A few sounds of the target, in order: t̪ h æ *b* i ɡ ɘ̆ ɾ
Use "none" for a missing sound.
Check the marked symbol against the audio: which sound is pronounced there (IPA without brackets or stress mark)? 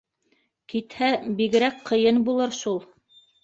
b